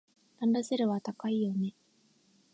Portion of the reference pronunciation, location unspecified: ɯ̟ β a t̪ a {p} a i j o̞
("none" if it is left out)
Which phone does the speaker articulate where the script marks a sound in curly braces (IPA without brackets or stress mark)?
k